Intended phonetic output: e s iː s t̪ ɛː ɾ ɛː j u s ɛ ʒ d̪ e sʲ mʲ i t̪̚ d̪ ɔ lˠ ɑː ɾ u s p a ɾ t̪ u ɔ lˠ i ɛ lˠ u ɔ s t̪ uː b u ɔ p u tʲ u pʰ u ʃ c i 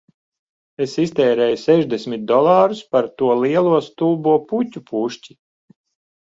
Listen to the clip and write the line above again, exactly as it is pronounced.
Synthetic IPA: e s i s t̪ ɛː ɾ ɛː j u s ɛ ʒ d̪ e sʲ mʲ i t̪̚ d̪ ɔ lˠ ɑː ɾ u s p a ɾ t̪ u ɔ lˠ i ɛ lˠ u ɔ s t̪ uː b u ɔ p u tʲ u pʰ u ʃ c i

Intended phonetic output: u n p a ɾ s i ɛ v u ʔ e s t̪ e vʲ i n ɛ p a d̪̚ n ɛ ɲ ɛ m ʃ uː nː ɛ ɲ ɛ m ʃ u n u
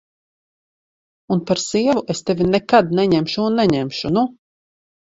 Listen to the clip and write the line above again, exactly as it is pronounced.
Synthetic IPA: u n p a ɾ s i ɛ v u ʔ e s t̪ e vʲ i n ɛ k a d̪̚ n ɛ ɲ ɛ m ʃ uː nː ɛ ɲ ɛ m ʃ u n u

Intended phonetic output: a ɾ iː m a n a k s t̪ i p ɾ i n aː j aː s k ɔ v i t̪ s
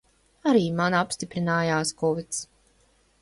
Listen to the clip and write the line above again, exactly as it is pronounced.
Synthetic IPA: a ɾ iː m a n a p s t̪ i p ɾ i n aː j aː s k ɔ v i t̪ s

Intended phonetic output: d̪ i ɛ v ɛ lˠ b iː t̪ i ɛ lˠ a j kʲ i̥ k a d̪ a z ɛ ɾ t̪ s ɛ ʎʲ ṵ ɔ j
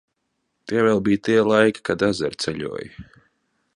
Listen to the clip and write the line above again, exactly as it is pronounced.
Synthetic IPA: t̪ i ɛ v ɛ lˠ b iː t̪ i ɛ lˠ a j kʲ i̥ k a d̪ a z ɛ ɾ t̪ s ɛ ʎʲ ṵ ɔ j

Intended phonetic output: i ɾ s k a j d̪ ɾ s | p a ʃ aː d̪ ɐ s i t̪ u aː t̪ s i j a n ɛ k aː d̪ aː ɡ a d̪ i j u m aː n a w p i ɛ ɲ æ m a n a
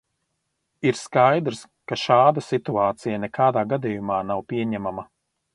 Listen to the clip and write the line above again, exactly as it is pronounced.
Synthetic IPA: i ɾ s k a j d̪ ɾ s | k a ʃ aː d̪ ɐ s i t̪ u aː t̪ s i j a n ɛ k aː d̪ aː ɡ a d̪ i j u m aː n a w p i ɛ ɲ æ m a m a

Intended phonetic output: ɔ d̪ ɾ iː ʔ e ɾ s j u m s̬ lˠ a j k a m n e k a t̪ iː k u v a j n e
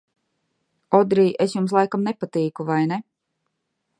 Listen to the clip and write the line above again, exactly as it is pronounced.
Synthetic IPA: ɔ d̪ ɾ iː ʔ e s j u m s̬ lˠ a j k a m n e p a t̪ iː k u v a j n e

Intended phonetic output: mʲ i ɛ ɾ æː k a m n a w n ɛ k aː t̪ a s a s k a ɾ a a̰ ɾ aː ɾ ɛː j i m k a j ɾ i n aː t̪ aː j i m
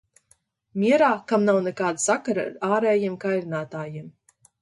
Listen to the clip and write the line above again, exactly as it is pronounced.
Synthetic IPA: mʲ i ɛ ɾ aː k a m n a w n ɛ k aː d̪ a s a k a ɾ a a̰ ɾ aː ɾ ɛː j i m k a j ɾ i n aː t̪ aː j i m

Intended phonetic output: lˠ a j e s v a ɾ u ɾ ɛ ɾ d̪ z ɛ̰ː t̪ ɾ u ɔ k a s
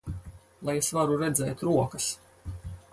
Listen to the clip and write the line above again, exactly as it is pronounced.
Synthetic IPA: lˠ a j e s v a ɾ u ɾ ɛ d̪ z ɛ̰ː t̪ ɾ u ɔ k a s

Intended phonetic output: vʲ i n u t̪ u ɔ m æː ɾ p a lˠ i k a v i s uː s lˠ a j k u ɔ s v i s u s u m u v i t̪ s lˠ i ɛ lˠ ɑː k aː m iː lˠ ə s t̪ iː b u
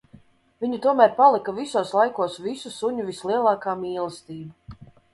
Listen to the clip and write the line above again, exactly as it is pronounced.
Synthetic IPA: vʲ i ɲ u t̪ u ɔ m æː ɾ p a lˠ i k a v i s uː s lˠ a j k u ɔ s v i s u s u ɲ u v i s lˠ i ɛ lˠ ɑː k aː m iː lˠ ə s t̪ iː b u

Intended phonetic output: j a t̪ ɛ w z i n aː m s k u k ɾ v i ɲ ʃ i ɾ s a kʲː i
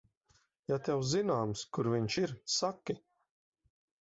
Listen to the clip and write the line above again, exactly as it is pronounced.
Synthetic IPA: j a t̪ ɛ w z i n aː m s k u ɾ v i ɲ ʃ i ɾ s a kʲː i

